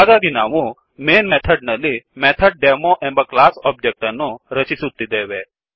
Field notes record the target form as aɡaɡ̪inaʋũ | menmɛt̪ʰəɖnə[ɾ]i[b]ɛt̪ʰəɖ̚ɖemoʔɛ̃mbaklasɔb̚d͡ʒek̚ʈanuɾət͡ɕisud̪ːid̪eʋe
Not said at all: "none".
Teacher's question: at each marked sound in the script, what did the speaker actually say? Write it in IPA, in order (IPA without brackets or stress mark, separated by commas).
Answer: l, m